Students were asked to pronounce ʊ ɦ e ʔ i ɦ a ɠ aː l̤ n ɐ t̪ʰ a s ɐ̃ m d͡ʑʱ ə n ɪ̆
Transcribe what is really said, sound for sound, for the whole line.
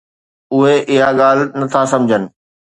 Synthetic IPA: ʊ ɦ e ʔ ɪ ɦ a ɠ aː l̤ n ɐ t̪ʰ a s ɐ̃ m d͡ʑʱ ə n ɪ̆